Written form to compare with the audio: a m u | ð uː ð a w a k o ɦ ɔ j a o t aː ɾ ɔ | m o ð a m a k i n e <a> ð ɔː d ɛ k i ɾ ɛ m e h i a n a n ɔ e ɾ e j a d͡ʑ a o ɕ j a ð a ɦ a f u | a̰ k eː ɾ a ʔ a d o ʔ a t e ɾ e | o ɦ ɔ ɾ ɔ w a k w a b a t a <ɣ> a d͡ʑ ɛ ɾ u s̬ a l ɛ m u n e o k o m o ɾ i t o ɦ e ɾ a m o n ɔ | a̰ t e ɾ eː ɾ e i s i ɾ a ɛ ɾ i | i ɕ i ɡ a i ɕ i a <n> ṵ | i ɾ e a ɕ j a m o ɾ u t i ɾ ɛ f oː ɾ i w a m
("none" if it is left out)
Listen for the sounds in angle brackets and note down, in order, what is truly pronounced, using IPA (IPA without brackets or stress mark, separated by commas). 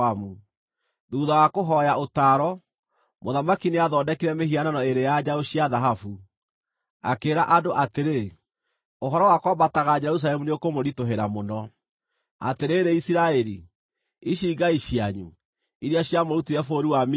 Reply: a, ɣ, ɲ